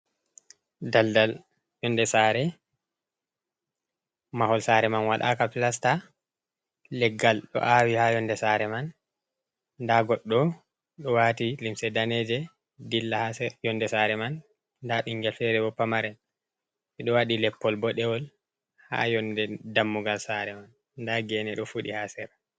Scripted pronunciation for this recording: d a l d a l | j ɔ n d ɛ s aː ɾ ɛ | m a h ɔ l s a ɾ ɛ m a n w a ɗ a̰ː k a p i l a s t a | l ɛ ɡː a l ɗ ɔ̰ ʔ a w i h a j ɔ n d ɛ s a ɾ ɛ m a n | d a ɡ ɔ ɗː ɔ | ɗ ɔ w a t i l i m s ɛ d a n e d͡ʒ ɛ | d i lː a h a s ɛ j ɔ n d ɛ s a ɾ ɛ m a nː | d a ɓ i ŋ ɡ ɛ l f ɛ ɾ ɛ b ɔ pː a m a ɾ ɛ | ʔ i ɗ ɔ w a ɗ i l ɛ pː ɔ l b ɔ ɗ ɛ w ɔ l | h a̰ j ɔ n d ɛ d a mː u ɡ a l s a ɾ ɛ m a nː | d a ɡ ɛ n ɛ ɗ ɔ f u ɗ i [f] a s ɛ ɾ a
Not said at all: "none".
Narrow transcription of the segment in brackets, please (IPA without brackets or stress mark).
h